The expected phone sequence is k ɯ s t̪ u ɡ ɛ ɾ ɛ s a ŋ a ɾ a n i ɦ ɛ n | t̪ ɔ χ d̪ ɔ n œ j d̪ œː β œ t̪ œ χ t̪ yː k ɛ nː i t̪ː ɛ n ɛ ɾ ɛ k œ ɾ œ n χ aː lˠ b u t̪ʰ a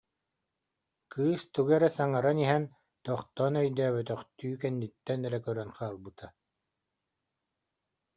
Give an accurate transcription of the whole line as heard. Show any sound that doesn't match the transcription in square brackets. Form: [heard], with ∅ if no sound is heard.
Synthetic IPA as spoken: k [ɯː] s t̪ u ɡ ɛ ɾ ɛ s a ŋ a ɾ a n i ɦ ɛ n | t̪ ɔ χ [t̪] ɔ n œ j d̪ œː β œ t̪ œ χ t̪ yː k ɛ nː i t̪ː ɛ n ɛ ɾ ɛ k œ ɾ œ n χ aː lˠ b [ɯ] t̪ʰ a